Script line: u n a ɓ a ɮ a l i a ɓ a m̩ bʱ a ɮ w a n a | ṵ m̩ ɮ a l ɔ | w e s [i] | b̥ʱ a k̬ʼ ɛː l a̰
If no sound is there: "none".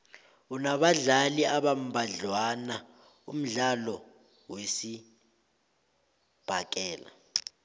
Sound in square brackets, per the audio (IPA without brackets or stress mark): i